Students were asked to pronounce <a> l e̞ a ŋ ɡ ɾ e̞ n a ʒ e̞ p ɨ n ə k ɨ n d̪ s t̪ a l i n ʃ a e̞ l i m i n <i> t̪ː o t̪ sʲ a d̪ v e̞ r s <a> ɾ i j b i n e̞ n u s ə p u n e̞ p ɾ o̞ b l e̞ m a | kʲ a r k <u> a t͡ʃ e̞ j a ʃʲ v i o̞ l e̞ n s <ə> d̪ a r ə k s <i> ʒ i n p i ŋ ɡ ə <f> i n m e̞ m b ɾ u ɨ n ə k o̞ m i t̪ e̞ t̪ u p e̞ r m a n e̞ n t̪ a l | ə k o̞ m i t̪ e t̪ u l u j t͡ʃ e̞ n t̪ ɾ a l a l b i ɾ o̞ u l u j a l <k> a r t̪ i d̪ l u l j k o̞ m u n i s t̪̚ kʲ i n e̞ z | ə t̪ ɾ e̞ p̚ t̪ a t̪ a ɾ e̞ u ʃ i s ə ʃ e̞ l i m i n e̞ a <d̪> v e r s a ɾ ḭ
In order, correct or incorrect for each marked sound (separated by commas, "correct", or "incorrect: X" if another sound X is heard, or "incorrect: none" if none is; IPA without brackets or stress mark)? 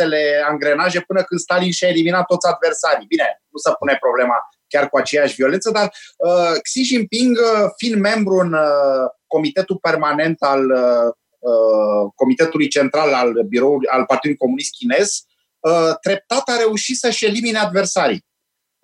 incorrect: e, incorrect: a, correct, correct, correct, correct, correct, incorrect: p, correct